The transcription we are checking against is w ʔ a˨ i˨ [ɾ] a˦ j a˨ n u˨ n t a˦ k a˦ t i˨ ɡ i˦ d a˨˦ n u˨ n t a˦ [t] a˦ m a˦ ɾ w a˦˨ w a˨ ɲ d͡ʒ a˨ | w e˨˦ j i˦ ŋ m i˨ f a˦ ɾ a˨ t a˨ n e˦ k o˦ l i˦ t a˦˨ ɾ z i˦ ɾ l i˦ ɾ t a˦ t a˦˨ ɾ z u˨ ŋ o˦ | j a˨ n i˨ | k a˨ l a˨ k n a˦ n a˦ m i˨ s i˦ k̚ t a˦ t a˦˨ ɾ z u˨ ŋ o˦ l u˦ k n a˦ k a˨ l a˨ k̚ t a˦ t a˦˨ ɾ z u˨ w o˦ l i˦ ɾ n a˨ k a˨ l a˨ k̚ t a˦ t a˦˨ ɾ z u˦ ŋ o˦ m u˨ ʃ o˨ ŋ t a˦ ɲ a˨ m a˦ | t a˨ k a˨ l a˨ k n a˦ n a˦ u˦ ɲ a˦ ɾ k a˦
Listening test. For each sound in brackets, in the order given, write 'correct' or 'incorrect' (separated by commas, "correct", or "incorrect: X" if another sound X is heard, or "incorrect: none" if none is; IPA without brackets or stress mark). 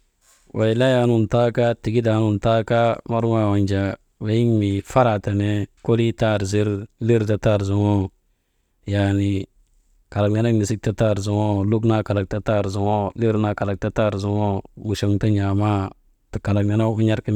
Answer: incorrect: l, incorrect: k